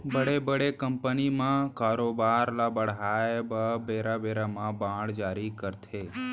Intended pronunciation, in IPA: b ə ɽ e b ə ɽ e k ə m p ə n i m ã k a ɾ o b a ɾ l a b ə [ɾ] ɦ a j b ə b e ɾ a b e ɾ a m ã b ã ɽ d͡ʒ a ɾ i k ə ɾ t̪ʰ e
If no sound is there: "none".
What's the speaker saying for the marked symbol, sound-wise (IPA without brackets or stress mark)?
ɽ